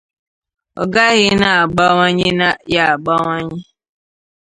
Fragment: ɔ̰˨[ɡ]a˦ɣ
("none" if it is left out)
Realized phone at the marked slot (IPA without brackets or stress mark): ɡ